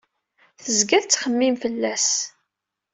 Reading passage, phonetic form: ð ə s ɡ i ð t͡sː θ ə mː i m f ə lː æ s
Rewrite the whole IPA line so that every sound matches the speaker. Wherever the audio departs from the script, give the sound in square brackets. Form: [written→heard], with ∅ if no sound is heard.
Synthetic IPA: [ð→θ] ə [s→z] ɡ [i→æ] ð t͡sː [θ→χ] ə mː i m f ə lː æ s